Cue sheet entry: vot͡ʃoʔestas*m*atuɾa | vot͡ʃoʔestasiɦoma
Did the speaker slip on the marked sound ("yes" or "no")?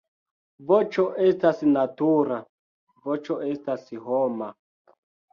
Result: yes